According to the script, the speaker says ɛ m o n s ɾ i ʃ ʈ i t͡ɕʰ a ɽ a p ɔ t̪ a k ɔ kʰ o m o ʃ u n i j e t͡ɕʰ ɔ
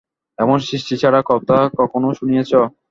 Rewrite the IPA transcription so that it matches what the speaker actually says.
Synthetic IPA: ɛ m o n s ɾ i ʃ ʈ i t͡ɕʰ a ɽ a k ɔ t̪ a k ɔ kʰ o n o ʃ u n i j e t͡ɕʰ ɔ